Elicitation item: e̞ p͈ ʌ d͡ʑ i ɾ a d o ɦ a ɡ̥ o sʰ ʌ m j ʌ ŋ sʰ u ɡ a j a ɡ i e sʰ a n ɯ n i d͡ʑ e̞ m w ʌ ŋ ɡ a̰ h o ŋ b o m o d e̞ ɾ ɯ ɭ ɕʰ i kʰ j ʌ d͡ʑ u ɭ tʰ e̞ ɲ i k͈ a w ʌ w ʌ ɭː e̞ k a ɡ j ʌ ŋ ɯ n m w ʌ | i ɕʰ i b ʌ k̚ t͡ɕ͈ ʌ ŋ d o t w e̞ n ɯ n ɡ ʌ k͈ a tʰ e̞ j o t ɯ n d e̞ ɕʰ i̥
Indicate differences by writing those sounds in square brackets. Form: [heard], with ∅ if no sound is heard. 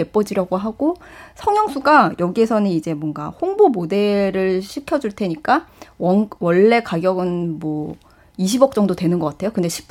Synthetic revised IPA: e̞ p͈ ʌ d͡ʑ i ɾ a [ɡ] o ɦ a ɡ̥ o sʰ ʌ [ŋ] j ʌ ŋ sʰ u ɡ a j [ʌ] ɡ i e sʰ [ʌ] n ɯ n i d͡ʑ e̞ m w ʌ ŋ ɡ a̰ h o ŋ b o m o d e̞ ɾ ɯ ɭ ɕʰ i kʰ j ʌ d͡ʑ u ɭ tʰ e̞ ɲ i k͈ a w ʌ w ʌ ɭː e̞ k a ɡ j ʌ [ɡ] ɯ n m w ʌ | i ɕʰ i b ʌ k̚ t͡ɕ͈ ʌ ŋ d o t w e̞ n ɯ n ɡ ʌ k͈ a tʰ e̞ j o [k] ɯ n d e̞ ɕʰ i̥